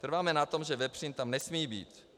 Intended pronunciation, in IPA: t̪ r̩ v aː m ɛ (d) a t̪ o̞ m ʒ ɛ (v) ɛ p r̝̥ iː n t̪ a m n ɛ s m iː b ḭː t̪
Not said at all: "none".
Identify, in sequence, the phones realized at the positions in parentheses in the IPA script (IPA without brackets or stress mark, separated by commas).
n, v